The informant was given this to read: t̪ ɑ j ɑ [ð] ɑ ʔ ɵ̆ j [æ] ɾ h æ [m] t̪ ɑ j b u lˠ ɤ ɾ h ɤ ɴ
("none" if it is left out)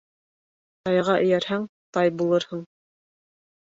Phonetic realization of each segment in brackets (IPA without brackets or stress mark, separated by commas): ʁ, æ, ŋ